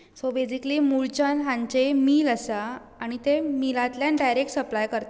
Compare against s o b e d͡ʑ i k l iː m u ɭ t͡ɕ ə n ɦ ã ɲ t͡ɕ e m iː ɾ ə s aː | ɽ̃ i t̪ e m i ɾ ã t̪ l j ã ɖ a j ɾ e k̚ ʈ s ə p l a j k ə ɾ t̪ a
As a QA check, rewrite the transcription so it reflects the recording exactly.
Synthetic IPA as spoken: s o b e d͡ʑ i k l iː m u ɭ t͡ɕ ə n ɦ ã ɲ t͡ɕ e m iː l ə s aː | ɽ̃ i t̪ e m i l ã t̪ l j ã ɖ a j ɾ e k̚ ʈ s ə p l a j k ə ɾ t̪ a